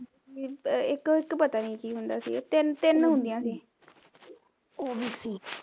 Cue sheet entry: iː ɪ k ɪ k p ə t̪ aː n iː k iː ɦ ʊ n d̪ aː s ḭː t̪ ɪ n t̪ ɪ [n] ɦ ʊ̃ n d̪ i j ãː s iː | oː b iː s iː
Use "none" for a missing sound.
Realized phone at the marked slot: n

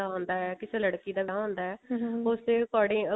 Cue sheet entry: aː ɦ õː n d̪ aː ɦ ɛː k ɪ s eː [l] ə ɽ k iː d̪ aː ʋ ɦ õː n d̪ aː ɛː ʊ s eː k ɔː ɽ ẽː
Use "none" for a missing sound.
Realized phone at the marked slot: l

